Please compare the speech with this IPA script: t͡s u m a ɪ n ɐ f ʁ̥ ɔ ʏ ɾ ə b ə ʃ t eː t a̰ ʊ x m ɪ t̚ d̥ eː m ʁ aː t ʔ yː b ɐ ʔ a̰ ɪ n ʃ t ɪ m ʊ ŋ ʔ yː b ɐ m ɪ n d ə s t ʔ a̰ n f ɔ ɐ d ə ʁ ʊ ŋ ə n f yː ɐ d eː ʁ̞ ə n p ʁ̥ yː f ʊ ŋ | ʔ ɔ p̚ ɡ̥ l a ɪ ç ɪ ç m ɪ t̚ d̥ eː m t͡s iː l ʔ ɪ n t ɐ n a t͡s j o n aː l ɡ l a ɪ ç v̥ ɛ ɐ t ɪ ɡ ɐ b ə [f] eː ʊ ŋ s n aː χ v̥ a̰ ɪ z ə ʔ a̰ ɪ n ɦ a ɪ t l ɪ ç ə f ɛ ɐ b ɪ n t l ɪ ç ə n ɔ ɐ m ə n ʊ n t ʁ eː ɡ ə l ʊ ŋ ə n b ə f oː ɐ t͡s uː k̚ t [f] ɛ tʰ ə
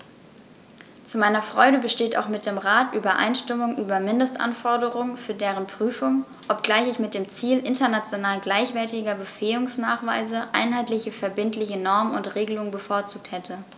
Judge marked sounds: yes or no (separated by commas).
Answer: yes, no